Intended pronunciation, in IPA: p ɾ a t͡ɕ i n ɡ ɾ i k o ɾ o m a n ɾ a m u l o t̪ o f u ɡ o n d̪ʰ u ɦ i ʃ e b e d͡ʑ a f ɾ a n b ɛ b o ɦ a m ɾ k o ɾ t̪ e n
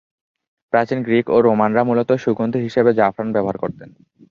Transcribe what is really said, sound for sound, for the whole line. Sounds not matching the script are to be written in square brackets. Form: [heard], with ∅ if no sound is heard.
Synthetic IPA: p ɾ a t͡ɕ i n ɡ ɾ i k o ɾ o m a n ɾ a m u l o t̪ o [ʃ] u ɡ o n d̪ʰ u ɦ i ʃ e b e d͡ʑ a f ɾ a n b ɛ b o ɦ a [∅] ɾ k o ɾ t̪ e n